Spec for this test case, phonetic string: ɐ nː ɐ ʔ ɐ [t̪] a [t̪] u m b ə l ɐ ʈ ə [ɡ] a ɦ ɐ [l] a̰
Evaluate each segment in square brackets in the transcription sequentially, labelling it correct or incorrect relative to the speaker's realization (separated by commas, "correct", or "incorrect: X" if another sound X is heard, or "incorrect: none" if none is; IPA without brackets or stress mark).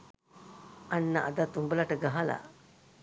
incorrect: d̪, correct, correct, correct